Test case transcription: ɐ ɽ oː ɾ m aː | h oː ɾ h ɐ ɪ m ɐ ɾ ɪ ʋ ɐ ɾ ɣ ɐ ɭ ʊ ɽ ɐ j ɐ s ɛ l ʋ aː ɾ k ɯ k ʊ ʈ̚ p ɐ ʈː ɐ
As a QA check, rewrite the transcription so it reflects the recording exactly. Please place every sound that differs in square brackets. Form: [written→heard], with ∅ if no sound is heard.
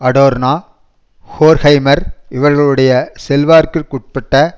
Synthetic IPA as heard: ɐ ɽ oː ɾ [m→n] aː | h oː ɾ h ɐ ɪ m ɐ ɾ ɪ ʋ ɐ ɾ ɣ ɐ ɭ [ʊ→ɯ] ɽ ɐ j ɐ s ɛ l ʋ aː ɾ k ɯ k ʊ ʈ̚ p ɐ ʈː ɐ